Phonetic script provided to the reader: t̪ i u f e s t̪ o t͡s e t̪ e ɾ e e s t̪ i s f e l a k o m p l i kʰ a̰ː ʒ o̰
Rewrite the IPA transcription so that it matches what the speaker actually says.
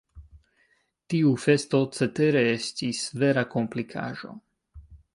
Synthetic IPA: t̪ i u f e s t̪ o t͡s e t̪ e ɾ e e s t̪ i s v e ɾ a k o m p l i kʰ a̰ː ʒ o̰